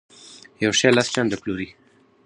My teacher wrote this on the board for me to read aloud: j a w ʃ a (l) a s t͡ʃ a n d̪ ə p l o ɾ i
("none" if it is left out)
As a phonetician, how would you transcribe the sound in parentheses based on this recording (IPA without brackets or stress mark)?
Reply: l